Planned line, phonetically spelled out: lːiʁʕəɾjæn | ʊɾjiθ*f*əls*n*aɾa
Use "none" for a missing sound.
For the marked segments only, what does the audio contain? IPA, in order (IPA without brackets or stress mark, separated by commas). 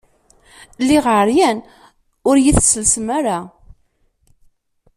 s, m